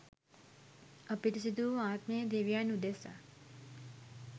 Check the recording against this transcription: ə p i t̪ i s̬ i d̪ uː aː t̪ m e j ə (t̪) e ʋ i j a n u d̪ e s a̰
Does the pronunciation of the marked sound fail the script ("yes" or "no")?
yes